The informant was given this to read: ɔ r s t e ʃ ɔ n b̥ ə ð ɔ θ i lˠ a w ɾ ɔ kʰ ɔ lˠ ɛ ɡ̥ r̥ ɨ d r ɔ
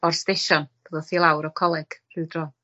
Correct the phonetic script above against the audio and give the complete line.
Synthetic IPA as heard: ɔ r s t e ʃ ɔ n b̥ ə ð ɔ θ i lˠ a w ɾ ɔ kʰ ɔ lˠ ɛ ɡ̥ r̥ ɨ d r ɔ